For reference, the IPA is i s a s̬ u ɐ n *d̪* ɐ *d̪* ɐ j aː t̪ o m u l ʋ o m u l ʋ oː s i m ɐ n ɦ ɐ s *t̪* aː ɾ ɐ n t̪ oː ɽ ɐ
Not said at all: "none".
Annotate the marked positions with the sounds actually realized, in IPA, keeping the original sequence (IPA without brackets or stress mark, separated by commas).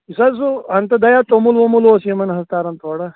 t̪, d̪, t̪